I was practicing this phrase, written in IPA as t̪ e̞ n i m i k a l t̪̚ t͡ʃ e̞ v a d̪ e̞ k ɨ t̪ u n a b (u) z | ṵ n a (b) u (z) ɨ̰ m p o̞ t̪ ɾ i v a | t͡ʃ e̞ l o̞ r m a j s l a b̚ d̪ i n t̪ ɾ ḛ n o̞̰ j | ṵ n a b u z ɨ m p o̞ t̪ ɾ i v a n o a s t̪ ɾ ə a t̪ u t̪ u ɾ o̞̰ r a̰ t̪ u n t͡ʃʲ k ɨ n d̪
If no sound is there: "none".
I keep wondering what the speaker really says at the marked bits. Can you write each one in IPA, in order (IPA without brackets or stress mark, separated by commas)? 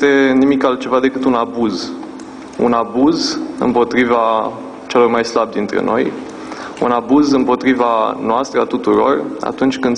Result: u, b, z